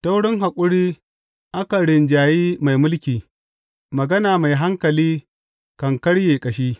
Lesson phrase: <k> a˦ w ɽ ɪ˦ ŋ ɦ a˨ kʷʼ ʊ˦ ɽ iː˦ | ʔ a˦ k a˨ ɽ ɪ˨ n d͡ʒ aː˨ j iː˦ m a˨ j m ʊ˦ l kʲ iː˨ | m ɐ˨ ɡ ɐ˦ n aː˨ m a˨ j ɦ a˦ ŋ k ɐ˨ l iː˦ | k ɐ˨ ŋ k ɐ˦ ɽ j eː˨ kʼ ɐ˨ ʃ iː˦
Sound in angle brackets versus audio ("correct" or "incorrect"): incorrect